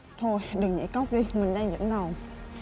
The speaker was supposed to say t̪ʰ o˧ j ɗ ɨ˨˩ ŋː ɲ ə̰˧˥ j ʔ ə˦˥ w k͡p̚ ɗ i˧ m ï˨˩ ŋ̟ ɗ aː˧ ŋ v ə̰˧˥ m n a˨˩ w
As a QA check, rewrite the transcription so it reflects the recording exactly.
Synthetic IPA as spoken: t̪ʰ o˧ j ɗ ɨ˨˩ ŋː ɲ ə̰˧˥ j k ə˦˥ w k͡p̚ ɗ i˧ m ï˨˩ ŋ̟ ɗ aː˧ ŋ z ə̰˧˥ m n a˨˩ w